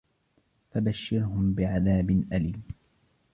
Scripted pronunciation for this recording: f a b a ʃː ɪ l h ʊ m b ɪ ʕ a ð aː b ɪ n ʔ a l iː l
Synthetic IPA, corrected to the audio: f a b a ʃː ɪ ɾ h ʊ m b ɪ ʕ a ð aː b ɪ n ʔ a l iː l